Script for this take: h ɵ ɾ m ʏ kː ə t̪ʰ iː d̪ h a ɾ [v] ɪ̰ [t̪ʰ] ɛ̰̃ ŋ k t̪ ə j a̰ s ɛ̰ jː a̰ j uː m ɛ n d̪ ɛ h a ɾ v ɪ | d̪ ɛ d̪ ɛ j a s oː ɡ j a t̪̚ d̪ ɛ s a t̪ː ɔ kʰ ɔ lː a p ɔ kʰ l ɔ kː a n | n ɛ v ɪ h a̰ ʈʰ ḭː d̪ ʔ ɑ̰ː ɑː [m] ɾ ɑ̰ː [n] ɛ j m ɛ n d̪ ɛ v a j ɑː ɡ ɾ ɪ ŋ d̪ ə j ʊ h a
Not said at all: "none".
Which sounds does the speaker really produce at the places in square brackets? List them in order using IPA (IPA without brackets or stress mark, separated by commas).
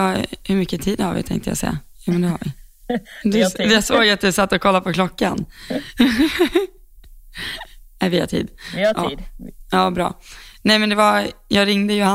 v, t̪ʰ, b, n